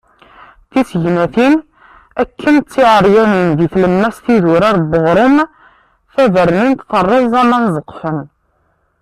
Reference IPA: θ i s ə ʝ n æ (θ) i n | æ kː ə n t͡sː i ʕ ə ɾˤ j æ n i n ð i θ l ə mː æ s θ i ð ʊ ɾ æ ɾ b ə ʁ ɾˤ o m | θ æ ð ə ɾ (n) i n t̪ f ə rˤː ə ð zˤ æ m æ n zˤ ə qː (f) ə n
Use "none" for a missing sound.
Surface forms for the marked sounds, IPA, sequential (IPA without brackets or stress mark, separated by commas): θ, n, f